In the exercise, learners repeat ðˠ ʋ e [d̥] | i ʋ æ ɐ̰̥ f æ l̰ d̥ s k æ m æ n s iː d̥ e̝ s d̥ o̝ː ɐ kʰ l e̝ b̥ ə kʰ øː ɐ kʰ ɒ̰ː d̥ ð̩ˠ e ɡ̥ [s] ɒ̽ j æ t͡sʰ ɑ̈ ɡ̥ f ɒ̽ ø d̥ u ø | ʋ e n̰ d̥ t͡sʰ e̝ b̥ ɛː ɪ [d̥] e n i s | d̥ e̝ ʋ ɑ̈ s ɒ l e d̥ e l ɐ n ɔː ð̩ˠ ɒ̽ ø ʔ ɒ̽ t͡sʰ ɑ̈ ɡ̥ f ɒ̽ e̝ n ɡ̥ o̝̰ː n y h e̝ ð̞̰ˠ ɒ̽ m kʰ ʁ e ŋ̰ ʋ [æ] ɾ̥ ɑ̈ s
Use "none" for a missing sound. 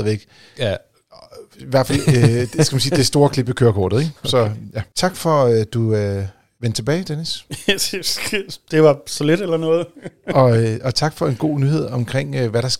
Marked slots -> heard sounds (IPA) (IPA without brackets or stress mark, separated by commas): ɡ̥, s, d̥, æ